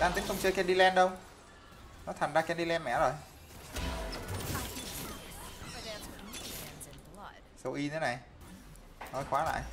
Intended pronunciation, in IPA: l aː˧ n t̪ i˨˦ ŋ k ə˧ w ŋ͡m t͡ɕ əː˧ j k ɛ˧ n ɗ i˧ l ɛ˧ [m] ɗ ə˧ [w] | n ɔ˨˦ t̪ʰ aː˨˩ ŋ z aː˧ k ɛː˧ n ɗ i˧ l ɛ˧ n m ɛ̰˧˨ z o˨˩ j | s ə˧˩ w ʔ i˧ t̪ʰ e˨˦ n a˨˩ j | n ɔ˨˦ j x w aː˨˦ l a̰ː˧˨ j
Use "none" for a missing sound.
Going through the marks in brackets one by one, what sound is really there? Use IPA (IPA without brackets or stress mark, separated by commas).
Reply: n, w